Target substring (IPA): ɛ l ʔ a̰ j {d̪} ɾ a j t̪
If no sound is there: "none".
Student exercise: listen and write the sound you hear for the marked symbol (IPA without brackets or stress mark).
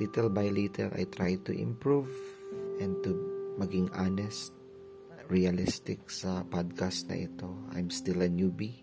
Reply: t̪